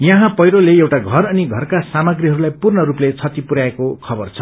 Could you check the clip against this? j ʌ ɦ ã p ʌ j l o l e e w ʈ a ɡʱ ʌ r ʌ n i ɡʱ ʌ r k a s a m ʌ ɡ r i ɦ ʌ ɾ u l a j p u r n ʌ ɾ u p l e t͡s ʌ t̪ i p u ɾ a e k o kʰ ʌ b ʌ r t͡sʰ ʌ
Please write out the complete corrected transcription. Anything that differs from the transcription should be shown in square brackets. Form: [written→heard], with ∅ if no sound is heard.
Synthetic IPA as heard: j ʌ ɦ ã p ʌ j [l→ɾ] o l e e w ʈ a ɡʱ ʌ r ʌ n i ɡʱ ʌ r k a s a m ʌ ɡ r i ɦ ʌ ɾ u l a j p u r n ʌ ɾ u p l e [t͡s→t͡sʰ] ʌ t̪ i p u ɾ a e k o kʰ ʌ b ʌ r t͡sʰ ʌ